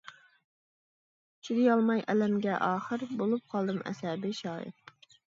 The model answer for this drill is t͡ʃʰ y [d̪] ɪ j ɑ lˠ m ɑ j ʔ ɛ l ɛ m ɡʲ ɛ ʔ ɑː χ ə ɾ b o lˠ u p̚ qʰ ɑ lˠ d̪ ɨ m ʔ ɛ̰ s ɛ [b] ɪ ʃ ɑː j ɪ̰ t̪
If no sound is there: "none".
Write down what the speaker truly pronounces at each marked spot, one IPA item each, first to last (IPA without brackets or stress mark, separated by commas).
d̪, b